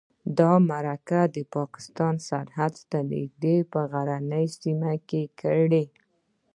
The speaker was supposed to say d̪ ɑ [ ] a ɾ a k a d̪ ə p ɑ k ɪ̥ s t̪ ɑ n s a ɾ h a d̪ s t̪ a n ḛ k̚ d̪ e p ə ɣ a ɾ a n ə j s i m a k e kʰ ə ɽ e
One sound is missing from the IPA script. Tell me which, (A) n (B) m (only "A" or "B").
B